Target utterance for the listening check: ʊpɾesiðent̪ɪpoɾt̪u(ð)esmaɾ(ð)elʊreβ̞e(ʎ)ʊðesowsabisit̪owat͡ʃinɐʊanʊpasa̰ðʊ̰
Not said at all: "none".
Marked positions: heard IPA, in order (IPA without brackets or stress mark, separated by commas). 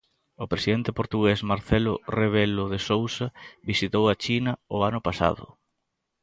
ɣ, θ, l